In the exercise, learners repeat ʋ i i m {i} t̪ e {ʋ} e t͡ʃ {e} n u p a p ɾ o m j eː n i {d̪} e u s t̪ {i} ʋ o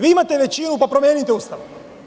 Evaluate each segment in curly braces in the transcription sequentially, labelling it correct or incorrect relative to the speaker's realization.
incorrect, correct, incorrect, incorrect, incorrect

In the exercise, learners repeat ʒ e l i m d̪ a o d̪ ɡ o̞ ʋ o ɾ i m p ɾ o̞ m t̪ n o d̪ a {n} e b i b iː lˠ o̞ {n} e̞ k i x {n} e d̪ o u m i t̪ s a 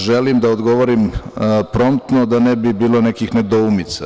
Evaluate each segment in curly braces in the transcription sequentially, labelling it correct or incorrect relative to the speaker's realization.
correct, correct, correct

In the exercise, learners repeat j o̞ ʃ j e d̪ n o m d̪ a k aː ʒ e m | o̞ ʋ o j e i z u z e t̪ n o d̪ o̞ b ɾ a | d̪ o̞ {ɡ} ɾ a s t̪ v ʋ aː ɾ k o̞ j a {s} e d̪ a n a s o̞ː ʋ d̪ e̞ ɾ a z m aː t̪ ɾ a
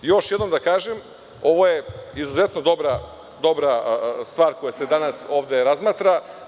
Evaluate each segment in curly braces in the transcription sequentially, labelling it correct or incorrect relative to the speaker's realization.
incorrect, correct

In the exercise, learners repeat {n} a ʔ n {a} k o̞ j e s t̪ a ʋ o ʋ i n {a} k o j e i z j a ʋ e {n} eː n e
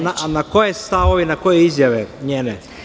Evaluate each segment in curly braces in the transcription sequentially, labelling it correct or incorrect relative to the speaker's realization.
correct, correct, correct, incorrect

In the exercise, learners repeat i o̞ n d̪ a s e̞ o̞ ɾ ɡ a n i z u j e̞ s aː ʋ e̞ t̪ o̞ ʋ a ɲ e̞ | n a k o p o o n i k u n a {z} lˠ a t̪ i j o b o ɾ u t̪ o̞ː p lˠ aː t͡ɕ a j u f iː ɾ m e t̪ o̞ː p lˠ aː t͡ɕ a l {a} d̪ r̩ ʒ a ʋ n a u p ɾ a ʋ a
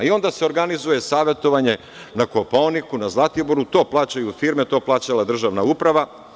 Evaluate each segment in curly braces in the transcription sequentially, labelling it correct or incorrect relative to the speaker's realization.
correct, correct

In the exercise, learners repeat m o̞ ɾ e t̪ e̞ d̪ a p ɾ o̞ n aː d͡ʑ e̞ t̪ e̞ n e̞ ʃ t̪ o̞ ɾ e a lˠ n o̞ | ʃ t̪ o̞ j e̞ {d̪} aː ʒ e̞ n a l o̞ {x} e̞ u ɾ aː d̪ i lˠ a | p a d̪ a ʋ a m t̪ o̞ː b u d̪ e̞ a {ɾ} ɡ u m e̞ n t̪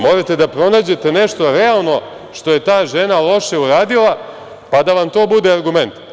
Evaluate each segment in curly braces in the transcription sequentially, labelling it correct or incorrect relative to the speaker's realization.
incorrect, incorrect, correct

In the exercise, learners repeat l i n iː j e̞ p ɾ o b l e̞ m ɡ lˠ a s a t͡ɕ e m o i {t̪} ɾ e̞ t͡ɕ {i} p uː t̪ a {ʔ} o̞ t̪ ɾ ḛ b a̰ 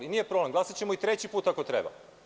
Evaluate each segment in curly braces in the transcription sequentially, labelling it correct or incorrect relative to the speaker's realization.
correct, correct, incorrect

